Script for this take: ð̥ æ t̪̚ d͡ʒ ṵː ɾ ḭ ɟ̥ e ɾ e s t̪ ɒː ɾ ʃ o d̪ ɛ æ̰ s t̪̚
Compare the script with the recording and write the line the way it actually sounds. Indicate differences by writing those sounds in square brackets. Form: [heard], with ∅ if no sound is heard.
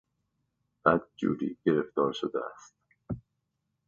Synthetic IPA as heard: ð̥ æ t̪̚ d͡ʒ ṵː ɾ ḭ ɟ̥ e ɾ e [f] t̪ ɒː ɾ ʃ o d̪ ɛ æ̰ s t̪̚